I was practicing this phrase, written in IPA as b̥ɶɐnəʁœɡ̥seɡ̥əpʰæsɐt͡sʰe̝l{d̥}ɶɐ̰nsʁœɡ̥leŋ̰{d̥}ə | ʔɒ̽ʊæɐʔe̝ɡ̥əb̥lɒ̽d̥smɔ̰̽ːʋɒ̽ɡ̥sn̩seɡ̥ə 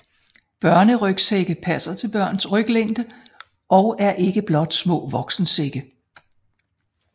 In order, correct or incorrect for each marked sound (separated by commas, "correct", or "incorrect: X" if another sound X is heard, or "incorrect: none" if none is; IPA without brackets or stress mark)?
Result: incorrect: b̥, correct